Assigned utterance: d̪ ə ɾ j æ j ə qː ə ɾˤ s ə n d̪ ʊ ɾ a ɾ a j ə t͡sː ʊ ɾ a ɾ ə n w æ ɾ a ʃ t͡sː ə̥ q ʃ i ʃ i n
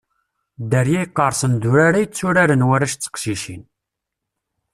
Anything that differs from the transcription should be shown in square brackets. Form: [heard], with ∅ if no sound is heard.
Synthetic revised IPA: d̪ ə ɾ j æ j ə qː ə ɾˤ s ə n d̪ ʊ ɾ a ɾ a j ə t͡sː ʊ ɾ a ɾ ə n w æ ɾ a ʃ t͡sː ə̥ q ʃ i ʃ i n